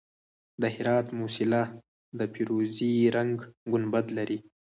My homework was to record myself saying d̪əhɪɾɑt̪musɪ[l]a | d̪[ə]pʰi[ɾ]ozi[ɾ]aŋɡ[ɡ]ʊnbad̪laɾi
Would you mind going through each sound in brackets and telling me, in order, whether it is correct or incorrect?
correct, correct, correct, correct, correct

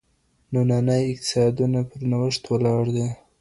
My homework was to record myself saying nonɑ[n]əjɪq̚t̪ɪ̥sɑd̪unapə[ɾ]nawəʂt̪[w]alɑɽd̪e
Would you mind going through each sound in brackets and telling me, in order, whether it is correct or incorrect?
correct, correct, correct

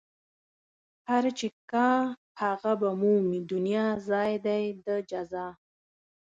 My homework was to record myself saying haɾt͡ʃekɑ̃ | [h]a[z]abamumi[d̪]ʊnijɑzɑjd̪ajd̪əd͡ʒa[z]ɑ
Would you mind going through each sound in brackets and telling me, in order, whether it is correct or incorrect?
correct, incorrect: ɣ, correct, correct

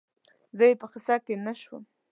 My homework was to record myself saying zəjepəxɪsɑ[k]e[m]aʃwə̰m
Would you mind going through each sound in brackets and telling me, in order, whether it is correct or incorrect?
correct, incorrect: n

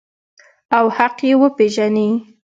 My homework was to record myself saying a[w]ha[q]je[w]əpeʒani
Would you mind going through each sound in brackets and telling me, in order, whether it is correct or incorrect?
correct, correct, correct

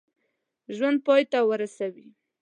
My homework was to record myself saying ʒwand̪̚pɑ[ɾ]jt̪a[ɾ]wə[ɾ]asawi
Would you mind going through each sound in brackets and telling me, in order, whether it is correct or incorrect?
incorrect: none, incorrect: none, correct

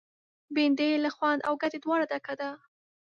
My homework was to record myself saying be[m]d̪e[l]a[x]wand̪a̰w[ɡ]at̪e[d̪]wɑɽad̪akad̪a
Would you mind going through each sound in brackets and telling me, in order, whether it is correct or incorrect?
incorrect: n, correct, correct, correct, correct

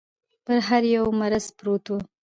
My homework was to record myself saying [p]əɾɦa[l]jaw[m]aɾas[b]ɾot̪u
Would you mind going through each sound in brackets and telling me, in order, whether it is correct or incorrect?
correct, incorrect: ɾ, correct, incorrect: p

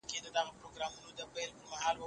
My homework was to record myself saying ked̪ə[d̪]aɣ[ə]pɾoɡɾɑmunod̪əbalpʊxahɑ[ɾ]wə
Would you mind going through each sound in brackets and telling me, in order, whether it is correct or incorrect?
correct, incorrect: a, incorrect: l

